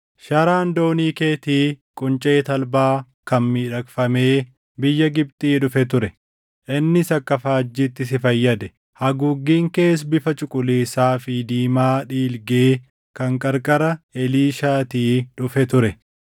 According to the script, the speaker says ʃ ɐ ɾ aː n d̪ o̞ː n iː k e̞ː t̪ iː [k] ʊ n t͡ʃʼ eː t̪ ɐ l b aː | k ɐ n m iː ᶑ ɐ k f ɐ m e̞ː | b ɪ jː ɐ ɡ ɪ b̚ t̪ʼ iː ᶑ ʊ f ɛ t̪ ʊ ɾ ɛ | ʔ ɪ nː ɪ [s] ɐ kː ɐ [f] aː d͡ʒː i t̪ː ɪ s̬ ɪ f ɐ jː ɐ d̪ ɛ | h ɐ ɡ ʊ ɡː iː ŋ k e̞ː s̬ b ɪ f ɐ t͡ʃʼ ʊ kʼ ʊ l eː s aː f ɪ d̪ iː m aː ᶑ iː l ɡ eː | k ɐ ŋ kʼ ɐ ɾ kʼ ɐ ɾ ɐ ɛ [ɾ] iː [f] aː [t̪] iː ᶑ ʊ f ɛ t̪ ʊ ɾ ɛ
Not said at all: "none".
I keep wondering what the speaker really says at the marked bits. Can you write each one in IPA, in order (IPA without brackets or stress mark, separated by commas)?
kʼ, s, f, l, ʃ, t̪